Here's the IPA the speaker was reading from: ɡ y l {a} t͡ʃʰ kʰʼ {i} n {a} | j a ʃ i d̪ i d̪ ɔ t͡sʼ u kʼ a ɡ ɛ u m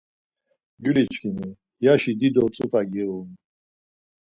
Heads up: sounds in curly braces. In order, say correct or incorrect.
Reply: incorrect: i, correct, incorrect: i

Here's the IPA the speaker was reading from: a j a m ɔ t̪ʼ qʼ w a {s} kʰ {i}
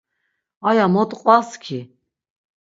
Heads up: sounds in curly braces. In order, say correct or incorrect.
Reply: correct, correct

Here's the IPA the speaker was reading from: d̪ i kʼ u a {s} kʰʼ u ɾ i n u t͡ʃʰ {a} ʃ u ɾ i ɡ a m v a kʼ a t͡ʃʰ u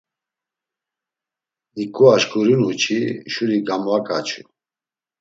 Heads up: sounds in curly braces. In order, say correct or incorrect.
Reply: incorrect: ʃ, incorrect: i

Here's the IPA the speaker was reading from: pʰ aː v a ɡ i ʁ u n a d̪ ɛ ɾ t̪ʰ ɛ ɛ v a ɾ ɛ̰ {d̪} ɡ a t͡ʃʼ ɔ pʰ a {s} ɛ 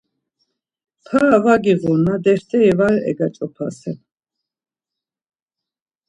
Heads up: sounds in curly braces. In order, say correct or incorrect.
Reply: incorrect: none, correct

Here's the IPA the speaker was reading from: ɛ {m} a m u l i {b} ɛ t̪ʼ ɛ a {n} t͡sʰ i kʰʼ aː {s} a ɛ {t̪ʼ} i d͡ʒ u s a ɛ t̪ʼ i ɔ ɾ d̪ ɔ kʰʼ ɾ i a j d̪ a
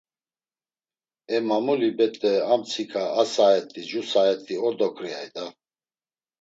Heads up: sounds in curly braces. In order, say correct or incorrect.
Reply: correct, correct, incorrect: m, correct, correct

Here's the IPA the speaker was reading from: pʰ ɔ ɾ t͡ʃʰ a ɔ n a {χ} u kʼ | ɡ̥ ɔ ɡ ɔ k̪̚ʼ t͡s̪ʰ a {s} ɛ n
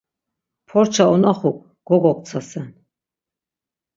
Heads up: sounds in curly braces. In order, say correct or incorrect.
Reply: correct, correct

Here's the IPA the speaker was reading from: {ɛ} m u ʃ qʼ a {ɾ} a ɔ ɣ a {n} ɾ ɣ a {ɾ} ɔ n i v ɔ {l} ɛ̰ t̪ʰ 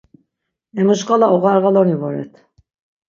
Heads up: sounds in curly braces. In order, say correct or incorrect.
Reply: correct, incorrect: l, incorrect: none, incorrect: l, incorrect: ɾ

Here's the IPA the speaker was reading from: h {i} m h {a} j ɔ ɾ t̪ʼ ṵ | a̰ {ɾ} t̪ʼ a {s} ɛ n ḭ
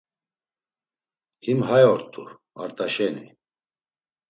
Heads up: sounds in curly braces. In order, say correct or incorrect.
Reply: correct, correct, correct, incorrect: ʃ

